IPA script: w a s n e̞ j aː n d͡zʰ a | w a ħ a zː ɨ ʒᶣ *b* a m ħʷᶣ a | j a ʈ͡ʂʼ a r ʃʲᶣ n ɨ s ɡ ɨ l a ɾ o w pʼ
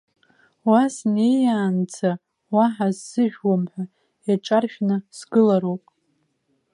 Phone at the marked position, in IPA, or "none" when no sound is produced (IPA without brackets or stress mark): w